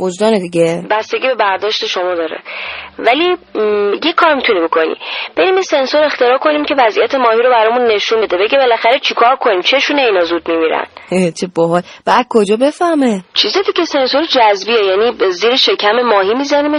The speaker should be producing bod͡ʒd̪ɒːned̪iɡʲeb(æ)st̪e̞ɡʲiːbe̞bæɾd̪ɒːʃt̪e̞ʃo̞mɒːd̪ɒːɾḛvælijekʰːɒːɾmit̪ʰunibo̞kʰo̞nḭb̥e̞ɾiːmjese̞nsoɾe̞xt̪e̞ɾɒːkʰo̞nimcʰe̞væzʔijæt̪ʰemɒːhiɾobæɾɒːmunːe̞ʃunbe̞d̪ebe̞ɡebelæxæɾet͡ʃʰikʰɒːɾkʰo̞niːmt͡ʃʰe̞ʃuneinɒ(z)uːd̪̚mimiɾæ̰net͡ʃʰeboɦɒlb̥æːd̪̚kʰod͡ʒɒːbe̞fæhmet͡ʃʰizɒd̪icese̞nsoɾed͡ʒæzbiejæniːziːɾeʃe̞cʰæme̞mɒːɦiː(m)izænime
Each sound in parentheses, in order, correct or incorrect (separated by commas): correct, correct, correct